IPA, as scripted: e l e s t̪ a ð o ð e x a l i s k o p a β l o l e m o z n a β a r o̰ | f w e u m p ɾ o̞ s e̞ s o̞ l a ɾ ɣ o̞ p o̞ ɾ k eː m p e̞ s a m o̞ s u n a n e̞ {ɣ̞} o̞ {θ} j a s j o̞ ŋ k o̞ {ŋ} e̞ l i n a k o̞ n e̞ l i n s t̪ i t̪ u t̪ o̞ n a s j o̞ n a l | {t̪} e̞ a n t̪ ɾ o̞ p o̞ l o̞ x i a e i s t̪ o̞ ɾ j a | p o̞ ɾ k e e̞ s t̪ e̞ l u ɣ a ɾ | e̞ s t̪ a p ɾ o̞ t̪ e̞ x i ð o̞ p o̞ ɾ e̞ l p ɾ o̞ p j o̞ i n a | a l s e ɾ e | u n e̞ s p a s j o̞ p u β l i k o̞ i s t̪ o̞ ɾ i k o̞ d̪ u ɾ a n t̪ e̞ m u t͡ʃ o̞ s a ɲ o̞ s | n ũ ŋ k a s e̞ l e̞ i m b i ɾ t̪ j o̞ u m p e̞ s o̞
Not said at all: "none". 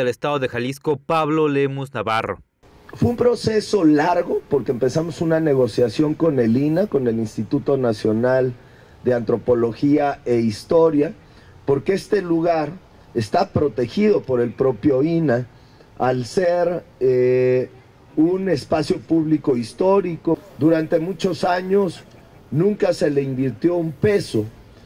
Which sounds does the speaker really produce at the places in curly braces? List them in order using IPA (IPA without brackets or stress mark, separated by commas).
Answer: ɣ̞, s, n, d̪